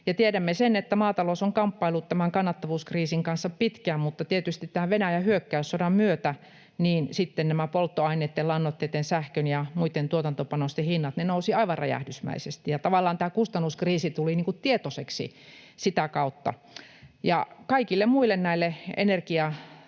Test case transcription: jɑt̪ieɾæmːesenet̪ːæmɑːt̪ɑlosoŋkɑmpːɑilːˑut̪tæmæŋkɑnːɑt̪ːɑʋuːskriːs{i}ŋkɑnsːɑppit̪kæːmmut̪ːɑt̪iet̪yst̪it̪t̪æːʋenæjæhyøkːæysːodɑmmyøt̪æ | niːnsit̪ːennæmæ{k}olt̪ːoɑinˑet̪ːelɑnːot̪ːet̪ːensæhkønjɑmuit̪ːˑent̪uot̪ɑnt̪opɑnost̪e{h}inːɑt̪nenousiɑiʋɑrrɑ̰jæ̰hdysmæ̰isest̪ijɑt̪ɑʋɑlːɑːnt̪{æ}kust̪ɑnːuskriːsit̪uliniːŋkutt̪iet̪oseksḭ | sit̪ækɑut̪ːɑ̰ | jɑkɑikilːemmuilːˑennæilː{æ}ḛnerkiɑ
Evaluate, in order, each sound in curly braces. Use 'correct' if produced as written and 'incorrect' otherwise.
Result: correct, incorrect, correct, incorrect, incorrect

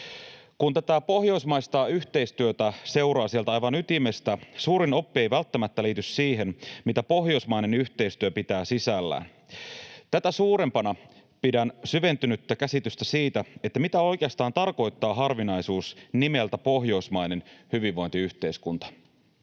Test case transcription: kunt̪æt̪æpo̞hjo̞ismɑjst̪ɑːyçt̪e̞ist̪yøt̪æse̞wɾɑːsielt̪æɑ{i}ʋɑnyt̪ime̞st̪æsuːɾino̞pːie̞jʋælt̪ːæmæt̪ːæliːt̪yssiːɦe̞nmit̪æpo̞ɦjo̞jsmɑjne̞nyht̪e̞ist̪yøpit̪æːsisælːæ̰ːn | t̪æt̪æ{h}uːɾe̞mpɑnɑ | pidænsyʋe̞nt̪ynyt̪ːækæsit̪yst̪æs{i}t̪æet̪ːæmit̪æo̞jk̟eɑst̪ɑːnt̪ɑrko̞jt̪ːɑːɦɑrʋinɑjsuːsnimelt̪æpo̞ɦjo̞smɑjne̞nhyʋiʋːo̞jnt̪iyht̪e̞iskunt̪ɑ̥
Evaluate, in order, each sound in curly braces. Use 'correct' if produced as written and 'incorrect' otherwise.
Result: incorrect, incorrect, incorrect

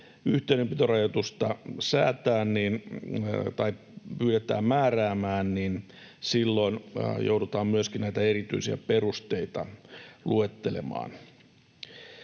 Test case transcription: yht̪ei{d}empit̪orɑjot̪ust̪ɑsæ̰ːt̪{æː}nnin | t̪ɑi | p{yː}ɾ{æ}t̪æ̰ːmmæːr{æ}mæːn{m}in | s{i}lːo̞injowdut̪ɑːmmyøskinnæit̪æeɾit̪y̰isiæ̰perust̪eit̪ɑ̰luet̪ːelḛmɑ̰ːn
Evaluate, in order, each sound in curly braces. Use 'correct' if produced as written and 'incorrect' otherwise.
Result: incorrect, correct, correct, incorrect, incorrect, incorrect, correct

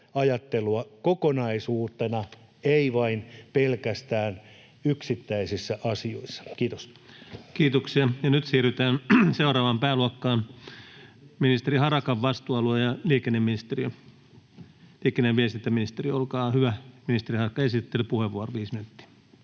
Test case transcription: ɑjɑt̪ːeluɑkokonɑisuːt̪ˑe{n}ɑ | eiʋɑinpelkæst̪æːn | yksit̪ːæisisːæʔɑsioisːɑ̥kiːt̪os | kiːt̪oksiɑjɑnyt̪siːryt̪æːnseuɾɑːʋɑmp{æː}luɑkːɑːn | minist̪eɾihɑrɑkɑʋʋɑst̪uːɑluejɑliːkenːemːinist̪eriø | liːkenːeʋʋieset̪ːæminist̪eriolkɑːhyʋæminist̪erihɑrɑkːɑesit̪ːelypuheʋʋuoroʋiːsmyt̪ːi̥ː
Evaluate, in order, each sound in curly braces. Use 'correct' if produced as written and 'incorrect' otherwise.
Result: correct, correct

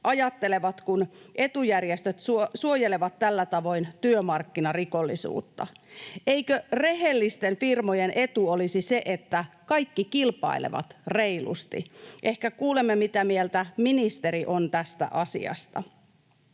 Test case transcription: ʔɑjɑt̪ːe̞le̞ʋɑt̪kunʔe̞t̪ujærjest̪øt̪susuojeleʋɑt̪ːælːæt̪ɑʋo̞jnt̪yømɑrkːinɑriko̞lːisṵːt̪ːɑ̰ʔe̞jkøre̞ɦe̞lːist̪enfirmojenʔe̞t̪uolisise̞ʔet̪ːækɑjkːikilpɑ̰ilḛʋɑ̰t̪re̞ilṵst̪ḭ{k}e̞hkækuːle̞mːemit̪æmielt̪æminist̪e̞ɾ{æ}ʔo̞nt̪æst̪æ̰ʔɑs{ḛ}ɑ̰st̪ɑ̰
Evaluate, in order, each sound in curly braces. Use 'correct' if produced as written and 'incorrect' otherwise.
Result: incorrect, incorrect, incorrect

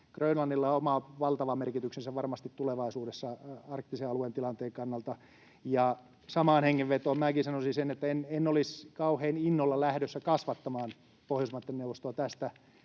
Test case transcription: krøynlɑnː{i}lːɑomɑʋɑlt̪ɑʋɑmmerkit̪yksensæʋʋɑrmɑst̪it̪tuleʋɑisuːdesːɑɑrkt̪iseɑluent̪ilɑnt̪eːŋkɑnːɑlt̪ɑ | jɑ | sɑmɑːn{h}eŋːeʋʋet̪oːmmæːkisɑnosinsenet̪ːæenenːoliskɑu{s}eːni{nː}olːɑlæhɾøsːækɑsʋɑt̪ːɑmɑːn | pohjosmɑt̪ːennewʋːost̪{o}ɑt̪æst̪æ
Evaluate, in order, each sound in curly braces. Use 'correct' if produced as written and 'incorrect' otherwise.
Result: correct, correct, incorrect, correct, correct

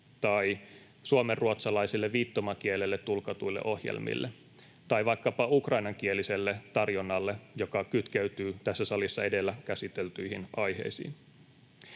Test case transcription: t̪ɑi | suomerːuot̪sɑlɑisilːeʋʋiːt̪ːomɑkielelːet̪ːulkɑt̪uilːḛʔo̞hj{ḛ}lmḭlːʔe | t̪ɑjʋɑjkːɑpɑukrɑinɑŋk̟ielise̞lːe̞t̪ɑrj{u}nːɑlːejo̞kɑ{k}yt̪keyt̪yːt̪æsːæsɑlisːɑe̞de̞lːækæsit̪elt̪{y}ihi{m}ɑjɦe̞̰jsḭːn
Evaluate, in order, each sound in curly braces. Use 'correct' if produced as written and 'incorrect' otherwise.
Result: correct, incorrect, correct, correct, incorrect

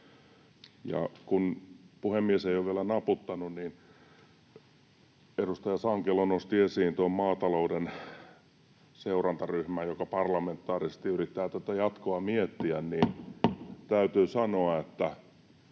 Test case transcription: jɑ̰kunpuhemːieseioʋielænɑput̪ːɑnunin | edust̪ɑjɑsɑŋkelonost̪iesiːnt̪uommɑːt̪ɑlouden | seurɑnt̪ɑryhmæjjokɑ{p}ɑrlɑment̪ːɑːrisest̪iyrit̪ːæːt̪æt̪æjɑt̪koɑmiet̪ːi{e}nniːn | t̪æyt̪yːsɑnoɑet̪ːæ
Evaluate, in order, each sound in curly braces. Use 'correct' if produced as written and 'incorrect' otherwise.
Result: correct, incorrect

